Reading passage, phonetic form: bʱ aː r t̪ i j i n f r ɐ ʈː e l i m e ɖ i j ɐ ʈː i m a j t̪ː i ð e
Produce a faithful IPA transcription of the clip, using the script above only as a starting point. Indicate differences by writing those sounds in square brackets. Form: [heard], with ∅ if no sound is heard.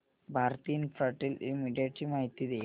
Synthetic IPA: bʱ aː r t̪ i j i n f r ɐ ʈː [i] l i m [i] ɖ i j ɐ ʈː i m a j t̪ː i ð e